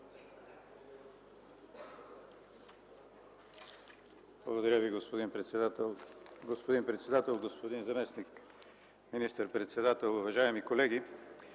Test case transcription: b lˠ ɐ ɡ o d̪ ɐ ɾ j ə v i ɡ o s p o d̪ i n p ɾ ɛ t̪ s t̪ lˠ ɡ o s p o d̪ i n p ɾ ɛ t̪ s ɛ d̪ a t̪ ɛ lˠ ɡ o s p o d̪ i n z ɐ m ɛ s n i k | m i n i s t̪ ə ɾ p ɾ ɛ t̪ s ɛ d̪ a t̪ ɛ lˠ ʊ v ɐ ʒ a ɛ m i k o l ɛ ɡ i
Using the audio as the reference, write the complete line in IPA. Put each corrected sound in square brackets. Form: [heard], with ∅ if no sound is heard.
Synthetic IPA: b lˠ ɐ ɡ o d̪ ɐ ɾ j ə v i ɡ o s p o d̪ i n p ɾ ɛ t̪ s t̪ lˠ ɡ o s p o d̪ i n p ɾ ɛ t̪ s ɛ d̪ a t̪ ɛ lˠ ɡ o s p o d̪ i n z ɐ m ɛ s n i k | m i n i s t̪ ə ɾ p ɾ ɛ t̪ s ɛ d̪ a t̪ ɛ lˠ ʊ v ɐ ʒ a ɛ m i k o l ɛ ɡ i